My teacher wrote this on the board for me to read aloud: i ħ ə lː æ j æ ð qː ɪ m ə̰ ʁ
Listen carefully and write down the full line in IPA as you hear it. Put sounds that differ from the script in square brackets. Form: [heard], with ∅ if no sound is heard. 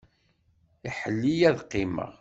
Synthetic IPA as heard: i ħ ə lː [i] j æ ð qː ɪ m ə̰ ʁ